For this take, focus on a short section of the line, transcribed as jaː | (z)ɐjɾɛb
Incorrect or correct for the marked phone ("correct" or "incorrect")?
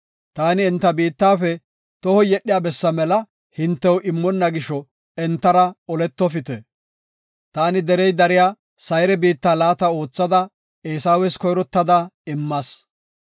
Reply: incorrect